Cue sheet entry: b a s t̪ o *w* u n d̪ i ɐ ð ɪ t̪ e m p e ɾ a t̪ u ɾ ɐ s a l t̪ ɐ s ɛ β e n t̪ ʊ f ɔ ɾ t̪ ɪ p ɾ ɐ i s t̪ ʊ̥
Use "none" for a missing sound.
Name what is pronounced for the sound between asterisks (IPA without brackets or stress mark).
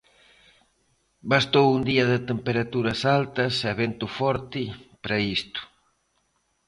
w